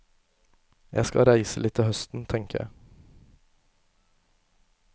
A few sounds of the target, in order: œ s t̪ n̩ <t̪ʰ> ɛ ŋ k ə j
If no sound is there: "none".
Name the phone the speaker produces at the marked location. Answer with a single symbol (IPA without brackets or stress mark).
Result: t̪ʰ